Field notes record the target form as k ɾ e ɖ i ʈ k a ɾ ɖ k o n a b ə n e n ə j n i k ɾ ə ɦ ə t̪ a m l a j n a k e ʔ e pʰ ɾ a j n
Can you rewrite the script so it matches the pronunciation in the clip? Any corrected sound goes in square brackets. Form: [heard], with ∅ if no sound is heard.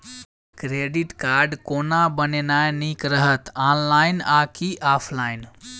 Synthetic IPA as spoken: k ɾ e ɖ i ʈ k a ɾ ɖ k o n a b ə n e n [a] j n i k ɾ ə ɦ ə t̪ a [n] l a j n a k [i] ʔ [a] pʰ [l] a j n